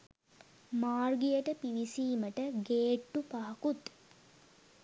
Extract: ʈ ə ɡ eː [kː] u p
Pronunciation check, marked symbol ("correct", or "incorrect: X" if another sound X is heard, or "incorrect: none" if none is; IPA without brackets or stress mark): incorrect: ʈː